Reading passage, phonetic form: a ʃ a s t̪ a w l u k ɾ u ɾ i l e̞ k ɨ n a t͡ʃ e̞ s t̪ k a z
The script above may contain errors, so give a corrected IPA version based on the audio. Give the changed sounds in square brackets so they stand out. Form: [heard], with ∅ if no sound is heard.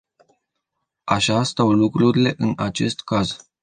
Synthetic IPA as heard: a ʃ a s t̪ a w l u k ɾ u ɾ i l e̞ [ʔ] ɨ n a t͡ʃ e̞ s t̪ k a z